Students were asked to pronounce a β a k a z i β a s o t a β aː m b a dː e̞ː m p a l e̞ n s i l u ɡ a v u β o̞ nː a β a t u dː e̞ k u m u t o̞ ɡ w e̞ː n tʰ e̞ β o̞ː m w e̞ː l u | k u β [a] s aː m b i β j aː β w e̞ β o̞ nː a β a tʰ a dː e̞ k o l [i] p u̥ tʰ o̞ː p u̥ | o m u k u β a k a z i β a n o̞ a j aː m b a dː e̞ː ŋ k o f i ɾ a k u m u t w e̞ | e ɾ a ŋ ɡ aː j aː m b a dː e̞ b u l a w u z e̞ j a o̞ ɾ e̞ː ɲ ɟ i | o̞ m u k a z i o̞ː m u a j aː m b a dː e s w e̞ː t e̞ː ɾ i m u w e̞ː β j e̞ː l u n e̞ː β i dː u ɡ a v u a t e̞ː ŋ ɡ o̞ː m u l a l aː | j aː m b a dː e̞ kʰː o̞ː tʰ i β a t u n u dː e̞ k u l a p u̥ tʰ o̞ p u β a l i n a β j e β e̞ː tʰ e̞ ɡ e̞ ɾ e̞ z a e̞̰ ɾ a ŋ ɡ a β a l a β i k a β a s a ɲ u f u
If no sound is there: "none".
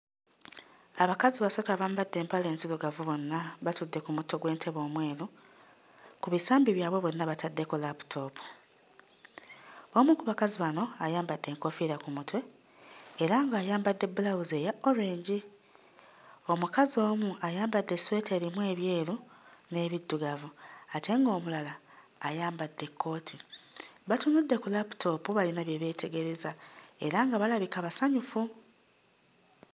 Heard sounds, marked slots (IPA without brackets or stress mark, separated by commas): i, a